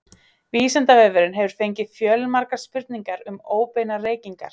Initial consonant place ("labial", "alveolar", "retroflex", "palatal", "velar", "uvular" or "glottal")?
labial